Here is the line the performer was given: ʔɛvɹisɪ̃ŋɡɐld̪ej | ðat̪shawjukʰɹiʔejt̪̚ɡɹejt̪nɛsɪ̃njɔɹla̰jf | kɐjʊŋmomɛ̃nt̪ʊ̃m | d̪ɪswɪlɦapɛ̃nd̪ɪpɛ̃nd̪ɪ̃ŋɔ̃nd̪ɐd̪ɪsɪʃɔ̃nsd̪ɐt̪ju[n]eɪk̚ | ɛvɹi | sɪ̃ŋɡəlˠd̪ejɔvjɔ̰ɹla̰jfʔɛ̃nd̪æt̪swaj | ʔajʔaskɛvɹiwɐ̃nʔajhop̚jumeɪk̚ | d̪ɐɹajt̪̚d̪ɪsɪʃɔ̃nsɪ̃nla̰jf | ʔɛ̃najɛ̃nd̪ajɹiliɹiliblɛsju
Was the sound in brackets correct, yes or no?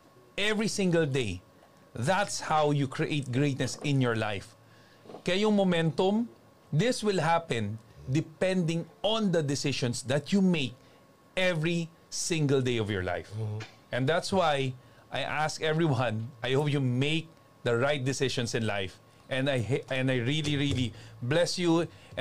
no